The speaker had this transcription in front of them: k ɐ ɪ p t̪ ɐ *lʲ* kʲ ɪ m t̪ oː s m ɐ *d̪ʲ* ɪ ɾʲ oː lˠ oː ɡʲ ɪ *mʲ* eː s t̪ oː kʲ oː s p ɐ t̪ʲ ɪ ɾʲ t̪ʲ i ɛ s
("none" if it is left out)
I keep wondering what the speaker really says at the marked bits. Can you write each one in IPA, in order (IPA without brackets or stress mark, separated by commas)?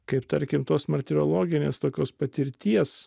ɾʲ, t̪ʲ, nʲ